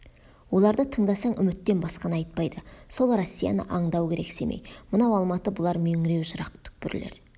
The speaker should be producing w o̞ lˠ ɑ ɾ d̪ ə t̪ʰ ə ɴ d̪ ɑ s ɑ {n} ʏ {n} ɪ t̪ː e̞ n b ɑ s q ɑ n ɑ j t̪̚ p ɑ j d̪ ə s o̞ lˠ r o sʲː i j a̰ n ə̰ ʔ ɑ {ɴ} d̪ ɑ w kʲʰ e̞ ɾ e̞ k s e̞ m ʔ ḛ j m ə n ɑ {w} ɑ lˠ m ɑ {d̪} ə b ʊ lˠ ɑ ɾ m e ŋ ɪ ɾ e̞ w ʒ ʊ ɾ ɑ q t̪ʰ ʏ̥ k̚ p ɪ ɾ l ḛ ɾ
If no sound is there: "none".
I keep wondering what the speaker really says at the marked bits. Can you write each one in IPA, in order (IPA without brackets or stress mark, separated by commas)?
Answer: ɴ, m, ɴ, w, t̪